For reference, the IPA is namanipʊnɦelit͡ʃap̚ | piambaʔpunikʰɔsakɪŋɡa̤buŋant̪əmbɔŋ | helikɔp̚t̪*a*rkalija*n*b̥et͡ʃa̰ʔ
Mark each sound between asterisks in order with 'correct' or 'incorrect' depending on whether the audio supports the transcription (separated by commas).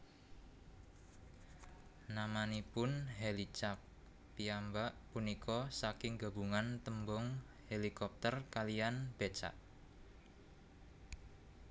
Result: incorrect, correct